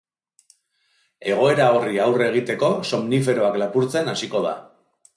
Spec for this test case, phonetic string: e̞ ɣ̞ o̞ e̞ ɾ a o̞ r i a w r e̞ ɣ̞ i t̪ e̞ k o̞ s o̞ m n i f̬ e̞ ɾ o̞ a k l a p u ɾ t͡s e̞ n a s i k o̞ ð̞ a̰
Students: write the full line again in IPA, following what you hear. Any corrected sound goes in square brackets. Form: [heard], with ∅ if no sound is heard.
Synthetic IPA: e̞ ɣ̞ o̞ e̞ ɾ a o̞ r i a w r e̞ ɣ̞ i t̪ e̞ k o̞ s o̞ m n i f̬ e̞ ɾ o̞ a k l a p u ɾ t͡s e̞ n a s i k o̞ ð̞ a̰